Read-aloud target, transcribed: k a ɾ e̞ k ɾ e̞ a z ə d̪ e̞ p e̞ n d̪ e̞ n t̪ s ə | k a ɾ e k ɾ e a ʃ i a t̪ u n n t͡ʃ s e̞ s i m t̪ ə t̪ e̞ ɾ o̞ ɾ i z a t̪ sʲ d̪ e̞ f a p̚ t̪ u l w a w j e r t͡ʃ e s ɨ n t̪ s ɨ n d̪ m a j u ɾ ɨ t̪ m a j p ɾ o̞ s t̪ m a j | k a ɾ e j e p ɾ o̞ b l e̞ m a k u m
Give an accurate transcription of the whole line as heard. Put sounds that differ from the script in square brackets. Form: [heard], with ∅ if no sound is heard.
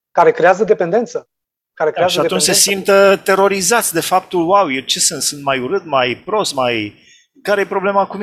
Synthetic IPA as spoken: k a ɾ e̞ k ɾ e̞ a z ə d̪ e̞ p e̞ n d̪ e̞ n t̪ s ə | k a ɾ e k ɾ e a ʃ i a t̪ u n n t͡ʃ s e̞ s i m t̪ ə t̪ e̞ ɾ o̞ ɾ i z a t̪ sʲ d̪ e̞ f a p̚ t̪ u l w a w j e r t͡ʃ e s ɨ n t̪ s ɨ n [t̪] m a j u ɾ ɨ t̪ m a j p ɾ o̞ s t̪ m a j | k a ɾ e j e p ɾ o̞ b l e̞ m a k u m